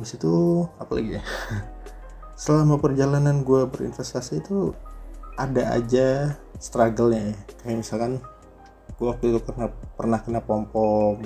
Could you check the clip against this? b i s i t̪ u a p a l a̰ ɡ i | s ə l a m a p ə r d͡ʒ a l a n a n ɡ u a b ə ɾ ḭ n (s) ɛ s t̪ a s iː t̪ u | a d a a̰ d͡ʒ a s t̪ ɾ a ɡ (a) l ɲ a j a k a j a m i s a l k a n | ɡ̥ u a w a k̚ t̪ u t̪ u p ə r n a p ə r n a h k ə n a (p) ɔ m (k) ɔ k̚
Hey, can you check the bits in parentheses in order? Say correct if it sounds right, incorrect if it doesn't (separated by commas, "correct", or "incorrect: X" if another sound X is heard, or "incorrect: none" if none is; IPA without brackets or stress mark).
incorrect: f, incorrect: ə, correct, incorrect: p